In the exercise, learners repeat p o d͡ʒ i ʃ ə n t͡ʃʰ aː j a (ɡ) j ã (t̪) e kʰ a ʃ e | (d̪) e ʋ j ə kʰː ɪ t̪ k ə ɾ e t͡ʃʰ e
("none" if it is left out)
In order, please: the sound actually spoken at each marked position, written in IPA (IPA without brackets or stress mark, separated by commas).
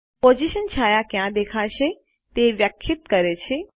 k, d̪, t̪